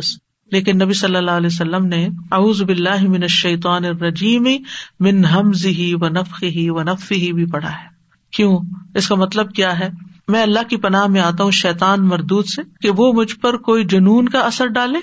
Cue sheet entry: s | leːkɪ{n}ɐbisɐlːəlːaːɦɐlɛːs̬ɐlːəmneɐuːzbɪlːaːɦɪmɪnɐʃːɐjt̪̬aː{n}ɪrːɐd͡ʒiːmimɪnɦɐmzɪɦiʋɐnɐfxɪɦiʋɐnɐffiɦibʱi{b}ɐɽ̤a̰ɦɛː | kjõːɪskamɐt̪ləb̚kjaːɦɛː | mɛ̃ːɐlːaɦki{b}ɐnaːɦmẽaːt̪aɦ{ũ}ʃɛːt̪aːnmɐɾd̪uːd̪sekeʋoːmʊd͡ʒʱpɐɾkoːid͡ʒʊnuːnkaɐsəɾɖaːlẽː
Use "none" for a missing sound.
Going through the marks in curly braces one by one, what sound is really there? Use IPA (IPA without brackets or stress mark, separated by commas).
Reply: nː, n, p, p, ũ